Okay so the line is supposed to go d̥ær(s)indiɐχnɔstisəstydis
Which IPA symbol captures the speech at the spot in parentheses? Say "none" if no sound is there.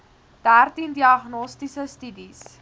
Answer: t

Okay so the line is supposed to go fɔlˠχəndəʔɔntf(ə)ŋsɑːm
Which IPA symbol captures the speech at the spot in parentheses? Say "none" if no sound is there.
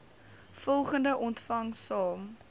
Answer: ɐ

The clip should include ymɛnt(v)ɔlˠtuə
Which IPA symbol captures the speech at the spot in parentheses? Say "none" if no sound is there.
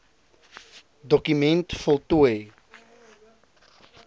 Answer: f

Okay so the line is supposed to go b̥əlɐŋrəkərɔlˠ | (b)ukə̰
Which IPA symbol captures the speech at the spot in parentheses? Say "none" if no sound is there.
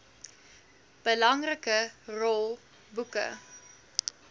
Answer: b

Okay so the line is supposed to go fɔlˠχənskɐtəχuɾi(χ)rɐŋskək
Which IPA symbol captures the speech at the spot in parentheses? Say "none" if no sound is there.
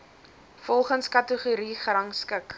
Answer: χ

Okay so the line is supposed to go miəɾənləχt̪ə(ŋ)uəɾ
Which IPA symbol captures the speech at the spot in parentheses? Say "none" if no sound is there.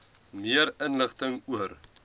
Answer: ŋ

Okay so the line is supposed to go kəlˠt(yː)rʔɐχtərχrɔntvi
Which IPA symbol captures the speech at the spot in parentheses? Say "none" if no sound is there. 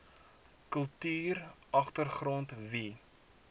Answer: yː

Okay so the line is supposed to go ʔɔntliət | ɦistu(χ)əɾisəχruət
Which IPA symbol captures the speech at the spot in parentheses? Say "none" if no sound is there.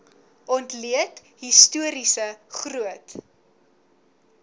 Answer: none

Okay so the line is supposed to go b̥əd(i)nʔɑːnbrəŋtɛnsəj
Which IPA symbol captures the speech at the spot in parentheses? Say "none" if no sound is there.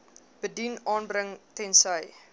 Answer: i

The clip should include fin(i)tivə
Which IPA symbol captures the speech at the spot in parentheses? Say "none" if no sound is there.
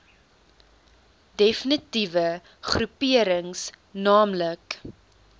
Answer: i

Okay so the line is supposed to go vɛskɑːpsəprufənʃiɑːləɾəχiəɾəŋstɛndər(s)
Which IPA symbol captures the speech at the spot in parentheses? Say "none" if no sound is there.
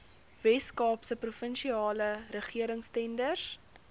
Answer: s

